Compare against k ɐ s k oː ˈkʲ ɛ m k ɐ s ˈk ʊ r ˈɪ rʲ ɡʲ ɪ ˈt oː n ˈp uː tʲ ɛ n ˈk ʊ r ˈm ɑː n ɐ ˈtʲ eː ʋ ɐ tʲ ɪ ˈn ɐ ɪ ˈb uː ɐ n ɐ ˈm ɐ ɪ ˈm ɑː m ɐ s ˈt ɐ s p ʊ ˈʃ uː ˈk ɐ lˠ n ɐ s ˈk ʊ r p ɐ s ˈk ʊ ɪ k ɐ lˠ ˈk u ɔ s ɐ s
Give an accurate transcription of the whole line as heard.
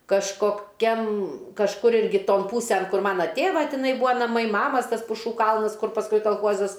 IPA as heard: k ɐ ʃ k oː ˈkʲ ɛ m k ɐ ʃ ˈk ʊ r ˈɪ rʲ ɡʲ ɪ ˈt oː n ˈp uː sʲ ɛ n ˈk ʊ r ˈm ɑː n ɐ ˈtʲ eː ʋ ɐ tʲ ɪ ˈn ɐ ɪ ˈb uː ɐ n ɐ ˈm ɐ ɪ ˈm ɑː m ɐ s ˈt ɐ s p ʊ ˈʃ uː ˈk ɐ lˠ n ɐ s ˈk ʊ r p ɐ s ˈk ʊ ɪ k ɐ lˠ ˈx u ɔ z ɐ s